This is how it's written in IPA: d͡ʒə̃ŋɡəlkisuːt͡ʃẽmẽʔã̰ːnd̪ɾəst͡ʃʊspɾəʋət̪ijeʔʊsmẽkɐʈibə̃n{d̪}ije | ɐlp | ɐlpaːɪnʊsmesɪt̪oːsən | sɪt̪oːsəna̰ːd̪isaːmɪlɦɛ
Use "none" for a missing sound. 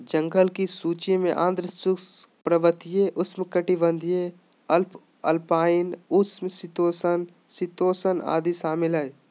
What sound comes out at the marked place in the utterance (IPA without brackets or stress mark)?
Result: d̪